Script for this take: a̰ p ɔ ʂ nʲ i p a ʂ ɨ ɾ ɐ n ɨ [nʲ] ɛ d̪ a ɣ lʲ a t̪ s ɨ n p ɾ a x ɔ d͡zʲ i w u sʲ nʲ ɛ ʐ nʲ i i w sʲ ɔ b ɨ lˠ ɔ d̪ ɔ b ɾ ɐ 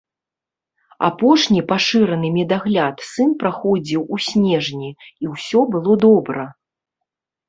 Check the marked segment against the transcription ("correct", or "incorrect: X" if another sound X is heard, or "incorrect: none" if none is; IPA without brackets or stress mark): incorrect: mʲ